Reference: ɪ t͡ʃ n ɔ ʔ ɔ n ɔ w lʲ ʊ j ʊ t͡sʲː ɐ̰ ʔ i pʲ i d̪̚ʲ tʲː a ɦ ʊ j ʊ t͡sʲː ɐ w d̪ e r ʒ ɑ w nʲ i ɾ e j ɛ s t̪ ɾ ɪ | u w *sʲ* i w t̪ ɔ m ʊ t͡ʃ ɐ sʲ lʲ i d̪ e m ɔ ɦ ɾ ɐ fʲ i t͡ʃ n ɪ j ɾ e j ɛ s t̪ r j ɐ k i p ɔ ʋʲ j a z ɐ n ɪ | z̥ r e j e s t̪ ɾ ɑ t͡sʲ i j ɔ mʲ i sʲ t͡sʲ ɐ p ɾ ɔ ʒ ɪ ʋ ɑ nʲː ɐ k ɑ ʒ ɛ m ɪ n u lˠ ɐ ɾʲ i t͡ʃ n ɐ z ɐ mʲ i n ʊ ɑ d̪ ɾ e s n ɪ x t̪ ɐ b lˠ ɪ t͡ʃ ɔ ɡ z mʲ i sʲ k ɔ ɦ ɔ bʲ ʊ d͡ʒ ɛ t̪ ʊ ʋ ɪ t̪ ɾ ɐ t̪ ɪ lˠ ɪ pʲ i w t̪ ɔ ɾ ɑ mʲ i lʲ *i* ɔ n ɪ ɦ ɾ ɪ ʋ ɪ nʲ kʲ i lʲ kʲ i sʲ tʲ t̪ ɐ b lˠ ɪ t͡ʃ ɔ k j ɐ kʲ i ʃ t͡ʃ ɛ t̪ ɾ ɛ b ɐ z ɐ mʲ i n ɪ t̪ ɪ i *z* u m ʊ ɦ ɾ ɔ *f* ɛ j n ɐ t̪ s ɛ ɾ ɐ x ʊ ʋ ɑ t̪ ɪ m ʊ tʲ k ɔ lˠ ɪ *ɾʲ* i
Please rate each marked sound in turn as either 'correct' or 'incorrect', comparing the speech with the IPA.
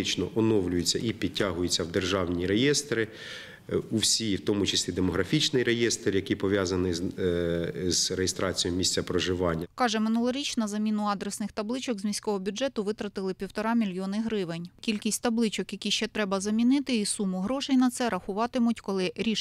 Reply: correct, incorrect, incorrect, incorrect, correct

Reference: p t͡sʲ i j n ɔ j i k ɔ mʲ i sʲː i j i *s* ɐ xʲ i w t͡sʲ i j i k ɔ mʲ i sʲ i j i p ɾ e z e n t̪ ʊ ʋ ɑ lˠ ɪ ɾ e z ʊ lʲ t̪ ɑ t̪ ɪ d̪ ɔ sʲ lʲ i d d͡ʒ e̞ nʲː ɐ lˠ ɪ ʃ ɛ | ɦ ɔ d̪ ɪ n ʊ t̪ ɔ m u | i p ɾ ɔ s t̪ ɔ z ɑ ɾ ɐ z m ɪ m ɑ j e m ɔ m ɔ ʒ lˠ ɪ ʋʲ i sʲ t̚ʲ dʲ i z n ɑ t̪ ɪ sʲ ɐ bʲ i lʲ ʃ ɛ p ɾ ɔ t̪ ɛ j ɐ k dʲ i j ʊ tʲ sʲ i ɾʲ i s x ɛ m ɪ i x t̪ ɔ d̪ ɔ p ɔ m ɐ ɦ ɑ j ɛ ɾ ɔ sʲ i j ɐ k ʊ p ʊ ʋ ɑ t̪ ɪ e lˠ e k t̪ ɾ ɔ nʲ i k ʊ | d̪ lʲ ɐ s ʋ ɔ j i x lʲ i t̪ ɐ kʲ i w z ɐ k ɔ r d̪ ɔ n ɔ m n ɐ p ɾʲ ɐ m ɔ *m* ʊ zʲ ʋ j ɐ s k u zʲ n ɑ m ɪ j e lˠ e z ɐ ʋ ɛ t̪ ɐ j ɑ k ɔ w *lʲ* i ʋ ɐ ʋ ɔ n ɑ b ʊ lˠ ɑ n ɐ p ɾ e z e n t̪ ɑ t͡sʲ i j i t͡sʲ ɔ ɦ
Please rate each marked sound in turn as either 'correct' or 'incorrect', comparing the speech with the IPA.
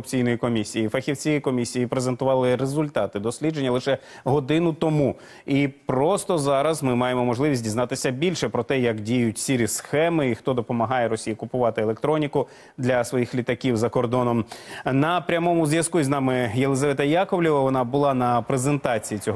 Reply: incorrect, correct, correct

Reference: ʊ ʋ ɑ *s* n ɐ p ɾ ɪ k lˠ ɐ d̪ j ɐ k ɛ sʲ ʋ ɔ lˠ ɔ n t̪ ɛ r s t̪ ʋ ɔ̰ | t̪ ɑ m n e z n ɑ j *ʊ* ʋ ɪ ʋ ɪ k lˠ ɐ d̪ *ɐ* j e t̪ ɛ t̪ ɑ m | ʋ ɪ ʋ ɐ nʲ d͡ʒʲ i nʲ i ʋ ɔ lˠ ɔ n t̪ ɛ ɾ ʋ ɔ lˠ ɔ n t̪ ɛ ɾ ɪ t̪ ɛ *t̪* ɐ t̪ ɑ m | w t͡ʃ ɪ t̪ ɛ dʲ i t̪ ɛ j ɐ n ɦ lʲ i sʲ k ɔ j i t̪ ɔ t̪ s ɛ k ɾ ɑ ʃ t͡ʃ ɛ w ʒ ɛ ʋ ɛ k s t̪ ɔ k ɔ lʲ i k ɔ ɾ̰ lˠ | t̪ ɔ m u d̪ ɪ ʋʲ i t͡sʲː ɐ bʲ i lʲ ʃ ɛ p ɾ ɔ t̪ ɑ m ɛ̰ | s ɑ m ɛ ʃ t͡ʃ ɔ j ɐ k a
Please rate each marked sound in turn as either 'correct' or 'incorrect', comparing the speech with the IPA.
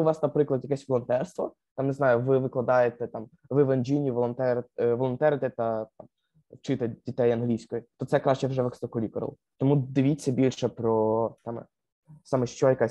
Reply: correct, correct, incorrect, correct

